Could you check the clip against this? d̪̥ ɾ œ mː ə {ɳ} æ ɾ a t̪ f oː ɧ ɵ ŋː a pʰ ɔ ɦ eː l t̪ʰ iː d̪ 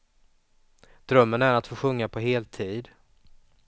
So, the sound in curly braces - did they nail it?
no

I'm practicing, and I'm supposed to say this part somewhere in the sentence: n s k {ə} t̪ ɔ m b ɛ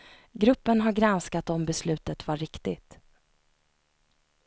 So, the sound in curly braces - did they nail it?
no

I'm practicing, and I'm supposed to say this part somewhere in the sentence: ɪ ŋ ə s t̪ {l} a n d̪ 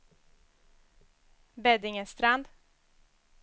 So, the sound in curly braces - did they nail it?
no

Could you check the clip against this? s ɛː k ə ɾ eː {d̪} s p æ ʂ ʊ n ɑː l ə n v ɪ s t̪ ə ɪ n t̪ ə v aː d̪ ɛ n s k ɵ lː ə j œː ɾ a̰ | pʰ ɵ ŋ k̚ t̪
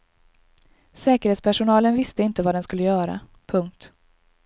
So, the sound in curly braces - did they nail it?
no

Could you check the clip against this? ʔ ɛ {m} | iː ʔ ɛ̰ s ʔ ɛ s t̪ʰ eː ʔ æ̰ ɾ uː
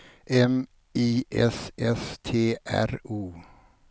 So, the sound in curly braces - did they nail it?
yes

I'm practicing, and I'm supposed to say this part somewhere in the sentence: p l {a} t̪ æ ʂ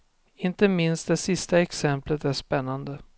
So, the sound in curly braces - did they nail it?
no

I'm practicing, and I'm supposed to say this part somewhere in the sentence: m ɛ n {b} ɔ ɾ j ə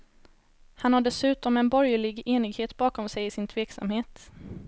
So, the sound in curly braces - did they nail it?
yes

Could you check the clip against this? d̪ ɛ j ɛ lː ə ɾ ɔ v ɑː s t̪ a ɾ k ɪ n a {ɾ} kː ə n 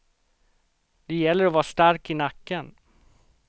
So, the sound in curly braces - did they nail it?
no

